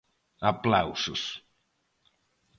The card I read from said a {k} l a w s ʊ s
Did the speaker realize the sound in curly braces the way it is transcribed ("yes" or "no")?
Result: no